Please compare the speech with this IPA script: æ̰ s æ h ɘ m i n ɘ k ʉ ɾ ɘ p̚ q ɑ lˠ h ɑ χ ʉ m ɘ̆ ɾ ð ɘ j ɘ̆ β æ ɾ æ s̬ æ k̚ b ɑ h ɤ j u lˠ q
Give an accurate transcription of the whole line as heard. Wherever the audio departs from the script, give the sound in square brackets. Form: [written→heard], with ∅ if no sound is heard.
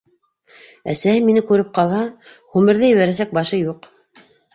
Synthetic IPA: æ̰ s æ h ɘ m i n ɘ k ʉ ɾ ɘ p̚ q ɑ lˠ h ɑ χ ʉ m ɘ̆ ɾ ð ɘ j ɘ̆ β æ ɾ æ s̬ æ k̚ b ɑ [h→ʃ] ɤ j u [lˠ→∅] q